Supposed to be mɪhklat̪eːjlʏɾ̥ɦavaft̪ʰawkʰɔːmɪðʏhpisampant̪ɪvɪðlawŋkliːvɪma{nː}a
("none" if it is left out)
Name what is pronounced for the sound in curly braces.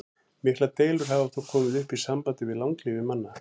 nː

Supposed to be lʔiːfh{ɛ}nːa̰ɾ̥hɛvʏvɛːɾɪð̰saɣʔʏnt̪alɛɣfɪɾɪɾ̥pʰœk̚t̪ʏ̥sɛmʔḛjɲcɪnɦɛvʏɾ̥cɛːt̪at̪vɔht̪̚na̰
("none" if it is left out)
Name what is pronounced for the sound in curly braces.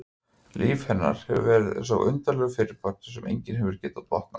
ɛ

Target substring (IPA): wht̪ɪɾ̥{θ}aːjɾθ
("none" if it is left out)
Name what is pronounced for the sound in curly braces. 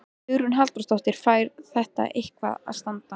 f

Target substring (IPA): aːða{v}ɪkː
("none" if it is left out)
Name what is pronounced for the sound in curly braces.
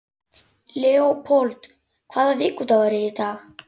v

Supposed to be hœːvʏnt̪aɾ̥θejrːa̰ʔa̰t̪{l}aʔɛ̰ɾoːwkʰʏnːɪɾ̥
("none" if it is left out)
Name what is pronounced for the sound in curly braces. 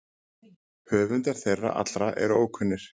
ɾ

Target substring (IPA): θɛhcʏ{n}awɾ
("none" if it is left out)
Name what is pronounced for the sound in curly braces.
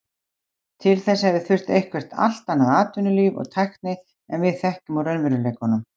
m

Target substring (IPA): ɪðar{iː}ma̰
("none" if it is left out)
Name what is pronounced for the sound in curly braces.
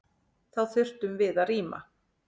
iː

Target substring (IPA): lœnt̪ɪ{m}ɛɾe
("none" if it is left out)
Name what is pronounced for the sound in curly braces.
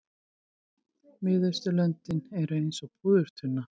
n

